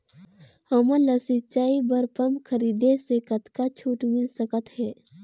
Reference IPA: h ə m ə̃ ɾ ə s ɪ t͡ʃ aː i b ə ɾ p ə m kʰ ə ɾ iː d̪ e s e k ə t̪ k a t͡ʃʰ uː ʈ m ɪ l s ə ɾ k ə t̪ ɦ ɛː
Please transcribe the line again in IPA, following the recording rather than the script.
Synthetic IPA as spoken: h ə m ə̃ l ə s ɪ t͡ʃ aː i b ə ɾ p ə m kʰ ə ɾ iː d̪ e s e k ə t̪ k a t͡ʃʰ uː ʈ m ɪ l s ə k ə t̪ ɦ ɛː